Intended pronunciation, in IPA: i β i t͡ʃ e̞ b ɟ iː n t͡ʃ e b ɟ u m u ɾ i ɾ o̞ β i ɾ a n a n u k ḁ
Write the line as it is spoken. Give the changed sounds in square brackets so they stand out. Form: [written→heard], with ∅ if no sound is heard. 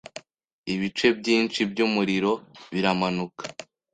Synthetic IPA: i β i t͡ʃ e̞ b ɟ iː n t͡ʃ [e→i] b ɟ u m u ɾ i ɾ o̞ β i ɾ a [n→m] a n u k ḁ